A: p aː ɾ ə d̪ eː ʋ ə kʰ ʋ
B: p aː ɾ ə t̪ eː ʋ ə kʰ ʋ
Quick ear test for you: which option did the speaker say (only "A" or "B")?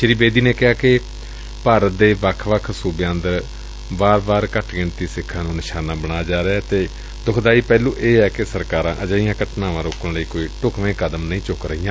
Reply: A